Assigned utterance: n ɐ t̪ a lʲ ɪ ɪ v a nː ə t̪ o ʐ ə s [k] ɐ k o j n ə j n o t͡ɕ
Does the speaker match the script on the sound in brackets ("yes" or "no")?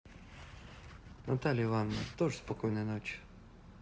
no